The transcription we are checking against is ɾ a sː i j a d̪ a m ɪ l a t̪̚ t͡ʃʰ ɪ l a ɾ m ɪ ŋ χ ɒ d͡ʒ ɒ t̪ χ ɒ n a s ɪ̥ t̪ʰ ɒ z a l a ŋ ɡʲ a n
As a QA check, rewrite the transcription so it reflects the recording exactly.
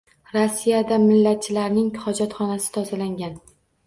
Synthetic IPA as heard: ɾ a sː i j a d̪ a m ɪ lː a t̪̚ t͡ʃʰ ɪ l a ɾ n ɪ ŋ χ ɒ d͡ʒ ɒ t̪ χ ɒ n a s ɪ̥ t̪ʰ ɒ z a l a ŋ ɡʲ a n